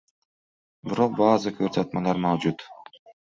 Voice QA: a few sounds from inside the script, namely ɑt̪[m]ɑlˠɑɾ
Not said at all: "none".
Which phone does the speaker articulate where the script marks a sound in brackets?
m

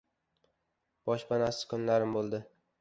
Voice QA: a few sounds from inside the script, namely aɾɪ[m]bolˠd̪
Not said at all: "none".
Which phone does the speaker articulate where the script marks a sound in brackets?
m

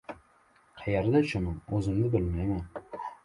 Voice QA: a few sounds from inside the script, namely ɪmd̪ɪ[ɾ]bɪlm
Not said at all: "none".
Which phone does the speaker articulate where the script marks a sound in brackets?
none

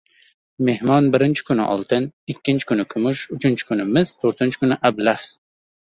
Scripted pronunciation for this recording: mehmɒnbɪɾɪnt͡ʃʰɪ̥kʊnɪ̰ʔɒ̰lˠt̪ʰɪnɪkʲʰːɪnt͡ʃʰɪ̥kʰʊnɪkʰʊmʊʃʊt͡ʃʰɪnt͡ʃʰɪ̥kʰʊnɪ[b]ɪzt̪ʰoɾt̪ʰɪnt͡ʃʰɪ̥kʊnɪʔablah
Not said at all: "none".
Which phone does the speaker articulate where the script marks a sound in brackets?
m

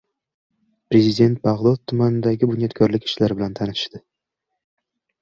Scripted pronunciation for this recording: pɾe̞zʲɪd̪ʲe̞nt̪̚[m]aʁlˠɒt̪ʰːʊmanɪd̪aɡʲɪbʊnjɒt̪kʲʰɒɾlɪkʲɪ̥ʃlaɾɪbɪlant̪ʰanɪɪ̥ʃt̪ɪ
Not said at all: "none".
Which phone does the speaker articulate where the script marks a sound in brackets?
b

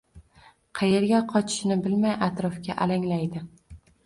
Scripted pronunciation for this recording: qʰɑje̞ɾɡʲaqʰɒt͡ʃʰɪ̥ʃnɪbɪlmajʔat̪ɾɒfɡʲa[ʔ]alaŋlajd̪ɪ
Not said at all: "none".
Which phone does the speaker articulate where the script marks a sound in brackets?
ʔ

